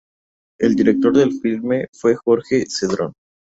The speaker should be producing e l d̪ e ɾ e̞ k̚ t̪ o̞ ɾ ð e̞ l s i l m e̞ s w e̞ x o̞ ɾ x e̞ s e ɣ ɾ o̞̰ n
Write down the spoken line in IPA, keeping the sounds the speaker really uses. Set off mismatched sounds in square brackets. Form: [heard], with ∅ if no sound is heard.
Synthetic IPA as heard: e l d̪ [i] ɾ e̞ k̚ t̪ o̞ ɾ ð e̞ l [f] i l m e̞ [f] w e̞ x o̞ ɾ x e̞ s e [ð] ɾ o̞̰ n